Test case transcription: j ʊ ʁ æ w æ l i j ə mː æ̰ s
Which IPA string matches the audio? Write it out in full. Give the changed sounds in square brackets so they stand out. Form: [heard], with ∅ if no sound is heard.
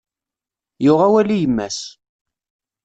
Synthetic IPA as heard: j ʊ ʁ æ w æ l i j ə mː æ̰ s